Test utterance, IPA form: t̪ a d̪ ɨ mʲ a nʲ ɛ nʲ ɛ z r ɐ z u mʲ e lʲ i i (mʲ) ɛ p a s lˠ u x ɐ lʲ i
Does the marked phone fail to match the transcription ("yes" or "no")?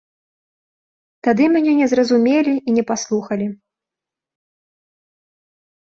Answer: yes